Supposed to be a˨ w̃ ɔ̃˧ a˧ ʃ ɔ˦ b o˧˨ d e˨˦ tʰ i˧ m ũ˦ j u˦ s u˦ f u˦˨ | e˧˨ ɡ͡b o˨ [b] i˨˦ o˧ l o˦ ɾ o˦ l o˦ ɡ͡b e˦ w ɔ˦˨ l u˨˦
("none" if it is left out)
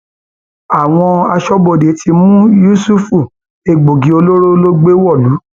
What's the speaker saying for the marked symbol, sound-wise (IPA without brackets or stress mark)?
ɡ